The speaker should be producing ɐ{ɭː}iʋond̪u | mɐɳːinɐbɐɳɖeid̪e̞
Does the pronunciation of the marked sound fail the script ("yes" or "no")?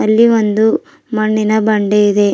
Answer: yes